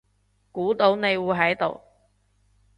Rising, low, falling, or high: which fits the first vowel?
rising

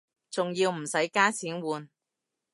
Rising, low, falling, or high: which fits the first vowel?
low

